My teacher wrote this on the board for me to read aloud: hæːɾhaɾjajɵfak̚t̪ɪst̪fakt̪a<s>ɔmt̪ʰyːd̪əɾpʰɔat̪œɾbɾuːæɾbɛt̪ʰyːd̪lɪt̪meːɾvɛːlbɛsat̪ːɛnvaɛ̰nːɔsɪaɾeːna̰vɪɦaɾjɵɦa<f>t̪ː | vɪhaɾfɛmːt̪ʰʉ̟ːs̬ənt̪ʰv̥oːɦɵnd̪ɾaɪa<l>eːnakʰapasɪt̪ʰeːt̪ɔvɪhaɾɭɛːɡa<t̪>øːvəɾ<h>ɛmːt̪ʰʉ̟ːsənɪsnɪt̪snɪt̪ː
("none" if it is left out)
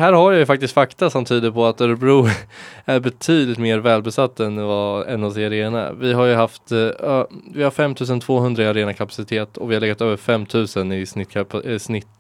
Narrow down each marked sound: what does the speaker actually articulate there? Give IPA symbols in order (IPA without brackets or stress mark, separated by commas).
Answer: s, f, ɾ, t̪, f